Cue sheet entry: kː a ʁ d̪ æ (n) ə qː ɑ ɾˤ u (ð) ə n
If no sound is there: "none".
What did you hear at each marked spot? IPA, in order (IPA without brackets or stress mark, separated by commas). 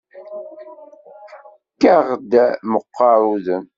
m, ð